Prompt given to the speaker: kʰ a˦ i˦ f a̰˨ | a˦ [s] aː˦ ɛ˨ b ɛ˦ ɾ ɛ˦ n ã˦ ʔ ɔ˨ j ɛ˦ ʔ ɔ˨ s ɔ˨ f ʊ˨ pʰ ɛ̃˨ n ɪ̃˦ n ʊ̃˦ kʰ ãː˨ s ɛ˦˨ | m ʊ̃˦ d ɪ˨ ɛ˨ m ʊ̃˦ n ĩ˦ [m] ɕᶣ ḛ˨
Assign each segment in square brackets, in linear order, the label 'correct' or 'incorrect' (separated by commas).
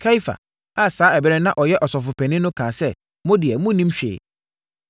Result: correct, correct